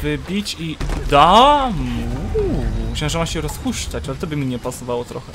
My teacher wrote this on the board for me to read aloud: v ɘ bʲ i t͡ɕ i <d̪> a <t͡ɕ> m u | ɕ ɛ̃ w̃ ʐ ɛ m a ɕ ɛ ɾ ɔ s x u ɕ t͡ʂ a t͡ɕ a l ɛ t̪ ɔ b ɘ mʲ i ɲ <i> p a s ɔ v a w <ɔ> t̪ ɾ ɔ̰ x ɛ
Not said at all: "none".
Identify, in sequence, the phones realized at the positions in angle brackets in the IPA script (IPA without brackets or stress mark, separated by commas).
d̪, none, ɛ, ɔ